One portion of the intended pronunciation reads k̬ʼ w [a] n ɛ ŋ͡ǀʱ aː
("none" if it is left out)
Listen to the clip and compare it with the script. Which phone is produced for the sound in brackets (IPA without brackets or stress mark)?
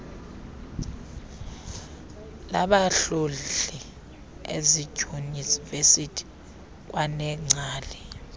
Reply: a